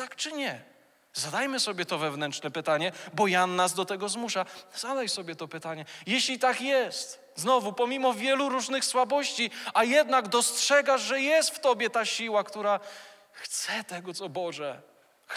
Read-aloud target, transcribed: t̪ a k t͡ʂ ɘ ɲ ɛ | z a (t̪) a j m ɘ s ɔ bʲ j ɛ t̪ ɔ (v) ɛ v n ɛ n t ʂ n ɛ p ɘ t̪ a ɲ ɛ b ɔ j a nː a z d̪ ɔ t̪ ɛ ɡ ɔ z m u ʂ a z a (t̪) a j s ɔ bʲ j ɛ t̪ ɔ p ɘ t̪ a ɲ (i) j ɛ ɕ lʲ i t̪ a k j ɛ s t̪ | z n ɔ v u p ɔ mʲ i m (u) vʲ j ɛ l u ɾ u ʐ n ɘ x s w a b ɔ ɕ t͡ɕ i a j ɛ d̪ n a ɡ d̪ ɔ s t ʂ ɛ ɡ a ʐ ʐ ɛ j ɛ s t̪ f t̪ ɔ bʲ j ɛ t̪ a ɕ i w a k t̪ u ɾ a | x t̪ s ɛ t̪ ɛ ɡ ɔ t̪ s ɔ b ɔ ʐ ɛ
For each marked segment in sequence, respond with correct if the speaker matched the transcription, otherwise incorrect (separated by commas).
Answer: incorrect, correct, incorrect, incorrect, incorrect